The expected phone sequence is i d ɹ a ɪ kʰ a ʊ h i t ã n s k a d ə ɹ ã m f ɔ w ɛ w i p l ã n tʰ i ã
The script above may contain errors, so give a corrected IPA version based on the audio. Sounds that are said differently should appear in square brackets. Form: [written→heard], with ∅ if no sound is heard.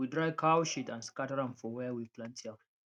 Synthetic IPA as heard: i d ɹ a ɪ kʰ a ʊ [h→ʃ] i t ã n s k a [d→t] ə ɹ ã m f ɔ w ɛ w i p l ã n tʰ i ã

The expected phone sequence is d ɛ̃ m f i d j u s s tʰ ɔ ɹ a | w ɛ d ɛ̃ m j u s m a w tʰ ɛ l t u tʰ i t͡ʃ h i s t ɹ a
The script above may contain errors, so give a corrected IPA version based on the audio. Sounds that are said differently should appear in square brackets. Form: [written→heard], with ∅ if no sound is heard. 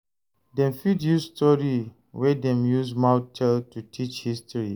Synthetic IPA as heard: d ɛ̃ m f i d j u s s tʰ ɔ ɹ [a→i] | w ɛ d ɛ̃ m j u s m a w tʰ ɛ l t u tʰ i t͡ʃ h i s t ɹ [a→i]

